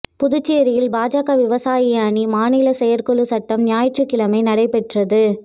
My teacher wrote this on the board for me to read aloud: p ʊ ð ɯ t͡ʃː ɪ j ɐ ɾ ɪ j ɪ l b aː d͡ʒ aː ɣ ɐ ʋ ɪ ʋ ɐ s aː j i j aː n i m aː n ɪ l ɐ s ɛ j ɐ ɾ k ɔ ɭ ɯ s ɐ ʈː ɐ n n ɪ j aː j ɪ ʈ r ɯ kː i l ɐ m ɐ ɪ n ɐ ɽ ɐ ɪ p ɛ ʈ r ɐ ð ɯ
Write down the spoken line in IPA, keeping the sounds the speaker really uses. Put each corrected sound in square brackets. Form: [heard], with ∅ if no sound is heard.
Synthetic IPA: p ʊ ð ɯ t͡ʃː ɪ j ɐ ɾ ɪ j ɪ l b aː d͡ʒ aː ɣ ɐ ʋ ɪ ʋ ɐ s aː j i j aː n i m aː n ɪ l ɐ s ɛ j ɐ ɾ k ɔ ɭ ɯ s ɐ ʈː ɐ [m] n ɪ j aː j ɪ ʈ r ɯ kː [ɪ] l ɐ m ɐ ɪ n ɐ ɽ ɐ ɪ p ɛ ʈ r ɐ ð ɯ